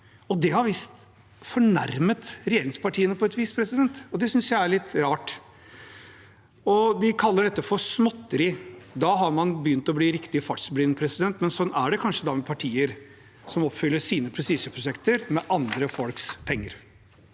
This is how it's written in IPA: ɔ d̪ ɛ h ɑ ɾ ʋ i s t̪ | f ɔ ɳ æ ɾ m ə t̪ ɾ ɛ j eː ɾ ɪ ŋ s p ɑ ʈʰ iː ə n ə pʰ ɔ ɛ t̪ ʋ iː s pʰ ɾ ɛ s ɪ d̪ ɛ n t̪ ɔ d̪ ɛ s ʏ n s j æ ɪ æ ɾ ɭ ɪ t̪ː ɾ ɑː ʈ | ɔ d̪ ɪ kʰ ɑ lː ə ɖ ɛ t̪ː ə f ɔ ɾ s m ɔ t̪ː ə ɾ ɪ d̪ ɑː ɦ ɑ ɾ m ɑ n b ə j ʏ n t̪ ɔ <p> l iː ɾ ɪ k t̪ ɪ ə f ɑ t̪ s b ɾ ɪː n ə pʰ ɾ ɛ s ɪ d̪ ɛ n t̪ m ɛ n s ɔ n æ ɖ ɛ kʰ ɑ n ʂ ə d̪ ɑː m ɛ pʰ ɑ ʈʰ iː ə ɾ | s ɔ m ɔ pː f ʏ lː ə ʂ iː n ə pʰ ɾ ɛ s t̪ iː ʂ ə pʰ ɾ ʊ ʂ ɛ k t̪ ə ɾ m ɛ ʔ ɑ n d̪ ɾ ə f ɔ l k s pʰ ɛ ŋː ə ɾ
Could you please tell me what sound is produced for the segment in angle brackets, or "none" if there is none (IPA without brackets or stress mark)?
b